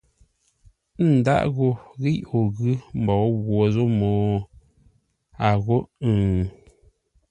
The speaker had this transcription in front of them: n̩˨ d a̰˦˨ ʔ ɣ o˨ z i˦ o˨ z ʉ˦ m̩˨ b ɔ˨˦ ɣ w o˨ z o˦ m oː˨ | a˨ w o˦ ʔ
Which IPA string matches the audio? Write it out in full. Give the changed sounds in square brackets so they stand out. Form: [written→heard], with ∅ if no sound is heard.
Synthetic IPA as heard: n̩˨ d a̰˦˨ ʔ ɣ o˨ [z→ɣ] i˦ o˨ [z→ɣ] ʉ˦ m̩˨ b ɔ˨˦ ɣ w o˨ z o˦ m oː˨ | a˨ [w→ɣ] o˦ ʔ